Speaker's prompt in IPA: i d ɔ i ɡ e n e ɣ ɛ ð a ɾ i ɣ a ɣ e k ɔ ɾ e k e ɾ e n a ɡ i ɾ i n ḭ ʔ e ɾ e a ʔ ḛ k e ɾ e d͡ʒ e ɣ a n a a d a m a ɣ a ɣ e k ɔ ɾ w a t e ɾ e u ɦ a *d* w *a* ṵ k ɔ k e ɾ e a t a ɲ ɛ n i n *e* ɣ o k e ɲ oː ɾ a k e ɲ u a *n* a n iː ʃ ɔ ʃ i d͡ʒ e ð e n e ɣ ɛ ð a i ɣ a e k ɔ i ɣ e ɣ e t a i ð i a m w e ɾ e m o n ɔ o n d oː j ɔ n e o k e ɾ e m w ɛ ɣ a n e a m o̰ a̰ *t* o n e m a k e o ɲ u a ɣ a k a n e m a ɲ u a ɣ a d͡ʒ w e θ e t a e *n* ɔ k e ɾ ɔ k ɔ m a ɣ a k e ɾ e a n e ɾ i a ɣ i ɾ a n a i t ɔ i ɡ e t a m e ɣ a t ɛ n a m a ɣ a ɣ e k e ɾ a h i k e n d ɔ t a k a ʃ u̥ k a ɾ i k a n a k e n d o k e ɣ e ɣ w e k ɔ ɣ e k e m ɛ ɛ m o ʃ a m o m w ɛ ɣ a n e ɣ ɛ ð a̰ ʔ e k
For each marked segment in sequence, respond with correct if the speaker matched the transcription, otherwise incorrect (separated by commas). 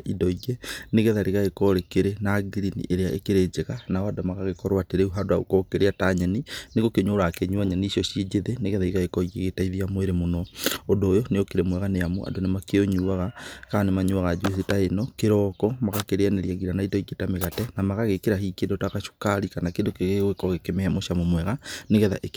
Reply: correct, correct, correct, incorrect, incorrect, correct